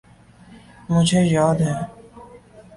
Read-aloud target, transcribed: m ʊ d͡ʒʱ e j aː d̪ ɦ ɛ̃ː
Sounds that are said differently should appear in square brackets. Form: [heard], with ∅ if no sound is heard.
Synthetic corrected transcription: m ʊ d͡ʒʱ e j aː d̪ ɦ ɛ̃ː